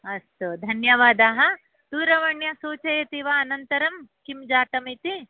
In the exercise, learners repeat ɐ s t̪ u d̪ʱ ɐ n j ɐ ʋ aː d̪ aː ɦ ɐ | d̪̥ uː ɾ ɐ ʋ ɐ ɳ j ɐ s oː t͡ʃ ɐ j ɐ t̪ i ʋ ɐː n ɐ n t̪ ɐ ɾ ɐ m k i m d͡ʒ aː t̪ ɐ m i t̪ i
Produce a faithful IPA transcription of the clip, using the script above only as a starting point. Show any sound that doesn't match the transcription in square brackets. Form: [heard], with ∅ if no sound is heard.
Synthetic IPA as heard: ɐ s t̪ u d̪ʱ ɐ n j ɐ ʋ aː d̪ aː ɦ ɐ | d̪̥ uː ɾ ɐ ʋ ɐ ɳ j ɐ s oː t͡ʃ ɐ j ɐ t̪ i ʋ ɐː n ɐ n t̪ ɐ ɾ ɐ m k i m d͡ʒ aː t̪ ɐ m i t̪ i